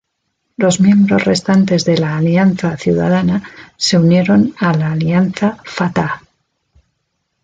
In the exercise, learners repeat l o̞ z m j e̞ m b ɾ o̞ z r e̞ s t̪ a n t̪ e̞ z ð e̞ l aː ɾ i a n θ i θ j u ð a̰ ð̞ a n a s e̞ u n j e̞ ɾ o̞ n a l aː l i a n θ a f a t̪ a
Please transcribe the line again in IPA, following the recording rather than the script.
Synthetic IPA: l o̞ z m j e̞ m b ɾ o̞ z r e̞ s t̪ a n t̪ e̞ z ð e̞ l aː l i a n θ a θ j u ð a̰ ð̞ a n a s e̞ u n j e̞ ɾ o̞ n a l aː l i a n θ a f a t̪ a